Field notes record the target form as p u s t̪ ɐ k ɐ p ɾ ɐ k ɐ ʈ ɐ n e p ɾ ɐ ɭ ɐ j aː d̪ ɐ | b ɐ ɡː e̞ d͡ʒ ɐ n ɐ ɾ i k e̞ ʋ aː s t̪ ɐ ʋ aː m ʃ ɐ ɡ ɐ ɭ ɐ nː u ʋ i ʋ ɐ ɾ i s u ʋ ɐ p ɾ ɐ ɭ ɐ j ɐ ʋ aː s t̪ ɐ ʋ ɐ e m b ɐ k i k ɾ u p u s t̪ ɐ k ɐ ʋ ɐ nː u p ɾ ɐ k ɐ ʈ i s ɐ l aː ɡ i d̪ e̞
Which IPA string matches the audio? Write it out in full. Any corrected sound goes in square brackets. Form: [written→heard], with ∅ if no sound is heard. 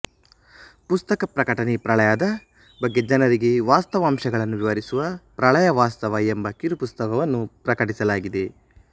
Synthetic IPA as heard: p u s t̪ ɐ k ɐ p ɾ ɐ k ɐ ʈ ɐ n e p ɾ ɐ ɭ ɐ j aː d̪ ɐ | b ɐ ɡː e̞ d͡ʒ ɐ n ɐ ɾ i [k→ɡ] e̞ ʋ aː s t̪ ɐ ʋ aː m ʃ ɐ ɡ ɐ ɭ ɐ nː u ʋ i ʋ ɐ ɾ i s u ʋ ɐ p ɾ ɐ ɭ ɐ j ɐ ʋ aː s t̪ ɐ ʋ ɐ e m b ɐ k i [k→∅] ɾ u p u s t̪ ɐ k ɐ ʋ ɐ nː u p ɾ ɐ k ɐ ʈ i s ɐ l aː ɡ i d̪ e̞